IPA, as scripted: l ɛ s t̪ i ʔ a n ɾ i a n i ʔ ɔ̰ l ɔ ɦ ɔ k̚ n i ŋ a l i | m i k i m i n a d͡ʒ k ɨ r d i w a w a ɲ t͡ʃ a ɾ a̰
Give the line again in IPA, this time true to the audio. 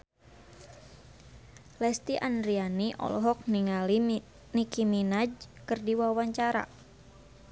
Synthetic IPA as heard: l ɛ s t̪ i ʔ a n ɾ i a n i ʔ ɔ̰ l ɔ ɦ ɔ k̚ n i ŋ a l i | n i k i m i n a d͡ʒ k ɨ r d i w a w a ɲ t͡ʃ a ɾ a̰